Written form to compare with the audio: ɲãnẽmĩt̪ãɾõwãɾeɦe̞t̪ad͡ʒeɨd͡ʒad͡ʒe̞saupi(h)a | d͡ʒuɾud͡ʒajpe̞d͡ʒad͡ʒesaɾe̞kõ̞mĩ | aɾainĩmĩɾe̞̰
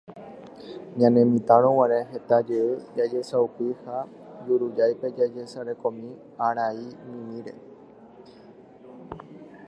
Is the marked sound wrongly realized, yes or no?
no